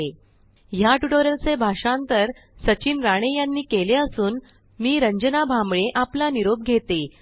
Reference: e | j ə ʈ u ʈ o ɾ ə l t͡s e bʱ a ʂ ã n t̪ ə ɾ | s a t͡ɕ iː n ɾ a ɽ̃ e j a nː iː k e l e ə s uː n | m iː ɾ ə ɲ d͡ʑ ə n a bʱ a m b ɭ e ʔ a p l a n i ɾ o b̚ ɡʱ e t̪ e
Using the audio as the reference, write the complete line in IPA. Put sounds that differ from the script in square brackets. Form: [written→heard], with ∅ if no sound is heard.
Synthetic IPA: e | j [ə→a] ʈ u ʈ o ɾ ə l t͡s e bʱ a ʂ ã n t̪ ə ɾ | s [a→ə] t͡ɕ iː n ɾ a ɽ̃ e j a nː iː k e l e ə s uː n | m iː ɾ ə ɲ d͡ʑ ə n a bʱ a m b ɭ e ʔ a p l a n i ɾ o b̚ ɡʱ e t̪ e